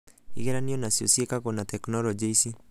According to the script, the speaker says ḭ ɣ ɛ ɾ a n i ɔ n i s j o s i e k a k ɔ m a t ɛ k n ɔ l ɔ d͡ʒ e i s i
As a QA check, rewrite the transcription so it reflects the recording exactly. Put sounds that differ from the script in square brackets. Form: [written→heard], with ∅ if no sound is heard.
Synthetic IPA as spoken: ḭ ɣ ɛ ɾ a n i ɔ n [i→a] s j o s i e k a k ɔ [m→n] a t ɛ k n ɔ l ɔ d͡ʒ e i s i